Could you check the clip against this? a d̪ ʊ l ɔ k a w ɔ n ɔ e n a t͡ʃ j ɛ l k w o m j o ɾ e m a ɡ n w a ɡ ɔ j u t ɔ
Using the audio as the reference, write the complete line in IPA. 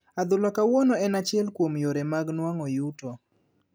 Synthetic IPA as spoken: a d̪ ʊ l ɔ k a w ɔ n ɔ ɛ n a t͡ʃ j ɛ l k w o m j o ɾ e m a ɡ n w a ŋ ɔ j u t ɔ